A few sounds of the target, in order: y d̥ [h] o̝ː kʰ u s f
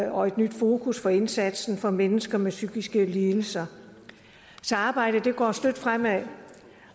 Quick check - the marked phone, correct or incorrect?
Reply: incorrect